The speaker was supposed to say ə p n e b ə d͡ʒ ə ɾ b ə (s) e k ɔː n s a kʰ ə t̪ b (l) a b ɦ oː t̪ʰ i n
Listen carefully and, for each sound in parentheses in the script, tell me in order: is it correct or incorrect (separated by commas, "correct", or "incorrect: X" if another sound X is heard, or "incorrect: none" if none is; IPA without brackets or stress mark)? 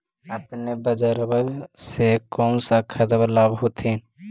correct, correct